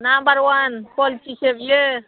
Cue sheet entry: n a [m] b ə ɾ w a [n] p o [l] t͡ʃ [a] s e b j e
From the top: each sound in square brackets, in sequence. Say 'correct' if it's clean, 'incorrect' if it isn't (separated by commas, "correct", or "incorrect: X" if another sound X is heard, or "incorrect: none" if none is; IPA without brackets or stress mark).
correct, correct, correct, incorrect: i